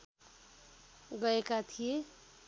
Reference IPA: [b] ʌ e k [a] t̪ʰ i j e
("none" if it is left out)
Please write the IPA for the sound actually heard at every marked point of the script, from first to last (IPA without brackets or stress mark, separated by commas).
ɡ, a